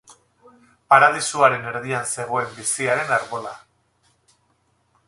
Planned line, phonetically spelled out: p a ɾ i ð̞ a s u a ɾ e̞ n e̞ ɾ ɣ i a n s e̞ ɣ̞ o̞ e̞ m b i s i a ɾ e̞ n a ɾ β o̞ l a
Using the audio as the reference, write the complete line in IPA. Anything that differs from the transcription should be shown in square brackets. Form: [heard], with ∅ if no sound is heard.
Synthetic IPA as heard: p a ɾ [a] ð̞ [i] s u a ɾ e̞ n e̞ ɾ [ð] i a n s e̞ ɣ̞ o̞ e̞ m b i s i a ɾ e̞ n a ɾ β o̞ l a